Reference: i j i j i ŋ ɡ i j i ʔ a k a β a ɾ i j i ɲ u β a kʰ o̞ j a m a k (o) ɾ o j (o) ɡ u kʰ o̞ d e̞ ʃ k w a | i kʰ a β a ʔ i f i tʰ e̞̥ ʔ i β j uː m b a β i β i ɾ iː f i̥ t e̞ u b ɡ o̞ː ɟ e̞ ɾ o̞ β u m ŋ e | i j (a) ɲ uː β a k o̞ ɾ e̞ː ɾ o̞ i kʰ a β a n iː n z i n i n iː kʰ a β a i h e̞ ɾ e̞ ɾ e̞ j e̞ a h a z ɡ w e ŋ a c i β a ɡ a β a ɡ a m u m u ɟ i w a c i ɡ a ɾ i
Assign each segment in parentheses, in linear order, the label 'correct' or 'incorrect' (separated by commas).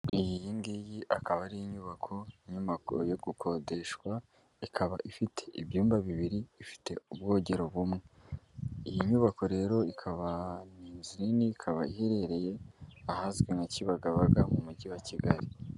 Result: incorrect, correct, incorrect